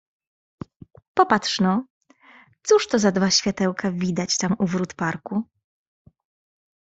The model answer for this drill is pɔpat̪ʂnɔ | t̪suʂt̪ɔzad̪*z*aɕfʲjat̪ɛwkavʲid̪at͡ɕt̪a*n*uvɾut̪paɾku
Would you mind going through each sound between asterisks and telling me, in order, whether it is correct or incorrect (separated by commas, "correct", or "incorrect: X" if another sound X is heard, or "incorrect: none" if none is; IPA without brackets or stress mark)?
incorrect: v, incorrect: m